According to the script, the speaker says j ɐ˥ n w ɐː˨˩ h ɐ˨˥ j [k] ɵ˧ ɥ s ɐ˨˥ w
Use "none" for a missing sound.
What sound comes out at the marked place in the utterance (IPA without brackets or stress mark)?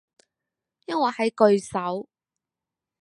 k